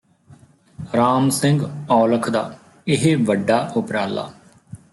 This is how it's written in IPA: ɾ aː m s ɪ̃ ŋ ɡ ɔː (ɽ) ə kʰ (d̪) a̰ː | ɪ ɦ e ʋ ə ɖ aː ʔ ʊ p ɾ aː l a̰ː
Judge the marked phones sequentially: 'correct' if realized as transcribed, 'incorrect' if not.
incorrect: l, correct

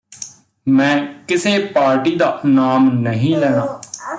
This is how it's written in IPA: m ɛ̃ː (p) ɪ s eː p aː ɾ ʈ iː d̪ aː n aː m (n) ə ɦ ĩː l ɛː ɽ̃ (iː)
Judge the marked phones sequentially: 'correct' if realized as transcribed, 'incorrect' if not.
incorrect: k, correct, incorrect: aː

